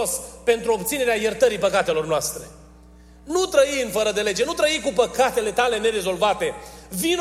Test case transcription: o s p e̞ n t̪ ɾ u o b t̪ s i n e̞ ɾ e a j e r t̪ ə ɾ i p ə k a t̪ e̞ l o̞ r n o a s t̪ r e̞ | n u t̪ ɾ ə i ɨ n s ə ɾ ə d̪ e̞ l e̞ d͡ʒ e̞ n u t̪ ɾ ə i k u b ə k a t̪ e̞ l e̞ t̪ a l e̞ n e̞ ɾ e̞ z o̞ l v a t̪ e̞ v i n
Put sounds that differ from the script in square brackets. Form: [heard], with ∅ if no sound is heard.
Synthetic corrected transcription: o s p e̞ n t̪ ɾ u o b t̪ s i n e̞ ɾ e a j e r t̪ ə ɾ i p ə k a t̪ e̞ l o̞ r n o a s t̪ [ɾ] e̞ | n u t̪ ɾ ə i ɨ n [f] ə ɾ ə d̪ e̞ l e̞ d͡ʒ e̞ n u t̪ ɾ ə i k u [p] ə k a t̪ e̞ l e̞ t̪ a l e̞ n e̞ ɾ e̞ z o̞ l v a t̪ e̞ v i n